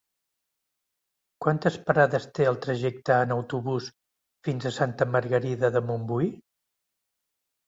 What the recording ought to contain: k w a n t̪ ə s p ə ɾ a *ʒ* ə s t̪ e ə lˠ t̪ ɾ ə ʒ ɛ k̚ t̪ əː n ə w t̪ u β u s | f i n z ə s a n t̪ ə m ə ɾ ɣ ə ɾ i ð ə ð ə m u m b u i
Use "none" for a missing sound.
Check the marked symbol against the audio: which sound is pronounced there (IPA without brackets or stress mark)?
ð